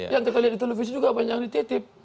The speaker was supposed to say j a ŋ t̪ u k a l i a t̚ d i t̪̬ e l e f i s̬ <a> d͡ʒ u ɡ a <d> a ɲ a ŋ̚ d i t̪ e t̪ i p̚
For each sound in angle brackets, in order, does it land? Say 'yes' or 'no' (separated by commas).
no, no